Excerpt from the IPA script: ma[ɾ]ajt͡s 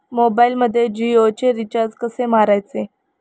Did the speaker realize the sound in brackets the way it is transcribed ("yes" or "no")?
yes